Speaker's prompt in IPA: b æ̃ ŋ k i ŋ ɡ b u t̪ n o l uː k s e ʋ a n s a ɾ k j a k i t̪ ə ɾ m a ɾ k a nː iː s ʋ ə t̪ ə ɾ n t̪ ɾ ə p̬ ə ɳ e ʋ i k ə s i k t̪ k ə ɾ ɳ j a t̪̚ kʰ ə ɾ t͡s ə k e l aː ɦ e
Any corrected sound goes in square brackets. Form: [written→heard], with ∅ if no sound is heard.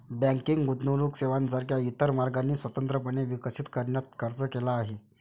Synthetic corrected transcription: b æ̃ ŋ k i ŋ ɡ [b→ɡ] u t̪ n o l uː k s e ʋ a n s a ɾ k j a [k→∅] i t̪ ə ɾ m a ɾ [k→ɡ] a nː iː s ʋ ə t̪ ə [ɾ→∅] n t̪ ɾ ə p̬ ə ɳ e ʋ i k ə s i [k→∅] t̪ k ə ɾ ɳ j a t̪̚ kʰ ə ɾ t͡s ə k e l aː ɦ e